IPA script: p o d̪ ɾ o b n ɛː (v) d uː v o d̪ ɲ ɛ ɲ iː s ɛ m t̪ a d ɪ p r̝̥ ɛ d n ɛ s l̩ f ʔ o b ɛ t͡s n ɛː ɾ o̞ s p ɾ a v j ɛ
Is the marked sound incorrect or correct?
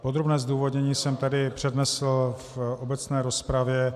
incorrect